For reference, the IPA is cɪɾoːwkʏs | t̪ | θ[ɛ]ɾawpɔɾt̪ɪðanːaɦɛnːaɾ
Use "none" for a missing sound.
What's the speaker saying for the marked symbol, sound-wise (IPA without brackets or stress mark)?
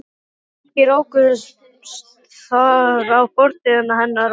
a